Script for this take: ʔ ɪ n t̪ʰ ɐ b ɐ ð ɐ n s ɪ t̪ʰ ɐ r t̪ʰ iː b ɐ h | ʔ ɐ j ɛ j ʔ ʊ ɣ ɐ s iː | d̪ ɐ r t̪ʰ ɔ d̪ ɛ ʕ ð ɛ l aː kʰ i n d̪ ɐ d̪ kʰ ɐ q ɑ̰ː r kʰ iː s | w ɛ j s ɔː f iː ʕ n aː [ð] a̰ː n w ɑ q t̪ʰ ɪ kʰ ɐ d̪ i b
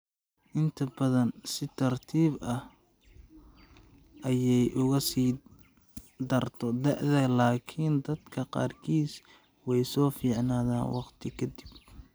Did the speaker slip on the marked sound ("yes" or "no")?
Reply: no